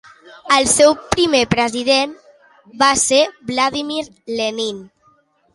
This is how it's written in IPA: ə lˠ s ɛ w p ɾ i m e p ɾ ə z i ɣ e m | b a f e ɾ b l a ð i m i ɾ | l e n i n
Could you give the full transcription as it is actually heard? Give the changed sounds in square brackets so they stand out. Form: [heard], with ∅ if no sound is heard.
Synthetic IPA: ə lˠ s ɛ w p ɾ i m e p ɾ ə z i [ð] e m | b a [s] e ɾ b l a ð i m i ɾ | l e n i n